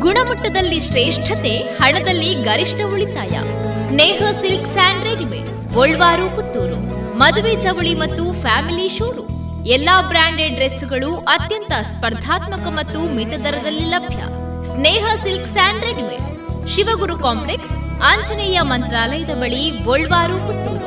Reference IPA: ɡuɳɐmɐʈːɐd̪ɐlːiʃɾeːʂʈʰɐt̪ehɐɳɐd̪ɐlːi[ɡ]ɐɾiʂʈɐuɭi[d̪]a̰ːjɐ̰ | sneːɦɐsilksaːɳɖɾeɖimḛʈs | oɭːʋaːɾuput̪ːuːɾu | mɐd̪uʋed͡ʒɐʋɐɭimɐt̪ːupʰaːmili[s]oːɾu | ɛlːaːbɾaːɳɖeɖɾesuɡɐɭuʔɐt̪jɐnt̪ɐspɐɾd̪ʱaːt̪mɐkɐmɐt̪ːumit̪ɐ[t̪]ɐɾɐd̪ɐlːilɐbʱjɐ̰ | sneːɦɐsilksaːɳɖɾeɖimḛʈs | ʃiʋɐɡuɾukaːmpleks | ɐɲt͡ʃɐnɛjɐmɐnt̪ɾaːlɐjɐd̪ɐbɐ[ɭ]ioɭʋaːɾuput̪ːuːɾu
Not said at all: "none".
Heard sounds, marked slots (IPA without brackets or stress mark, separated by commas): ɡ, t̪, ʃ, d̪, ɭ